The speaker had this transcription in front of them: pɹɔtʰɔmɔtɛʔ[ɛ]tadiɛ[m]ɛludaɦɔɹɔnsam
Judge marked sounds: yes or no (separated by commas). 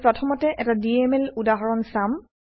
yes, yes